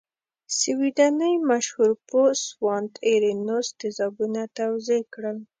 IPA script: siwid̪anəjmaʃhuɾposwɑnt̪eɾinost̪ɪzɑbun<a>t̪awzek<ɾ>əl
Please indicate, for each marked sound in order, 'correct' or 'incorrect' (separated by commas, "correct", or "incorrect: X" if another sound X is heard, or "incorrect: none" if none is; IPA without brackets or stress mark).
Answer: correct, incorrect: ɽ